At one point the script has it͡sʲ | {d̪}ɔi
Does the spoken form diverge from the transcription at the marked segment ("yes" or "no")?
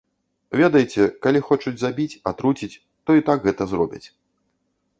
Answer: yes